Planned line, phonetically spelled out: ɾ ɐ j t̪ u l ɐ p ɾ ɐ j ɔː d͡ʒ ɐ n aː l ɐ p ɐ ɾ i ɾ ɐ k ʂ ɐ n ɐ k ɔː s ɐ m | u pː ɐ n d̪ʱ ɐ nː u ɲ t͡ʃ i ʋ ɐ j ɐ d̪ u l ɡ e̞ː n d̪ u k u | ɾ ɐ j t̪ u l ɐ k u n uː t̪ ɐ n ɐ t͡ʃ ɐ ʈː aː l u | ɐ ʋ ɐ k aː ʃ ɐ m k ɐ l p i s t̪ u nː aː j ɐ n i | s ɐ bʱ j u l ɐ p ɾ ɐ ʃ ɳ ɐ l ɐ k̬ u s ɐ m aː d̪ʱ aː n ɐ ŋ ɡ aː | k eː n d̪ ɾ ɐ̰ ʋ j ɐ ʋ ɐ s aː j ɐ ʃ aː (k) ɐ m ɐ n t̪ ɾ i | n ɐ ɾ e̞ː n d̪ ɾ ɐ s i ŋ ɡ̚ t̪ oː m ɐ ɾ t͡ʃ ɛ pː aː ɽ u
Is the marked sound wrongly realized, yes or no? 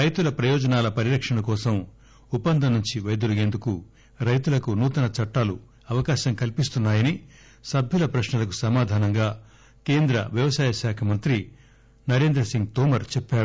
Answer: yes